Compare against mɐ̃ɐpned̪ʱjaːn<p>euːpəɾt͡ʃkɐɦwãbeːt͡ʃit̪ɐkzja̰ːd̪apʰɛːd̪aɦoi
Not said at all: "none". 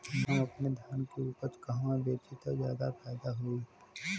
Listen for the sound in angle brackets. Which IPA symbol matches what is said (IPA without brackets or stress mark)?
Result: k